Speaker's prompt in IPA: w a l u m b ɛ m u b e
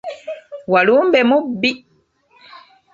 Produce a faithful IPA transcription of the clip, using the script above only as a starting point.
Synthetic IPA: w a l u m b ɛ m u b i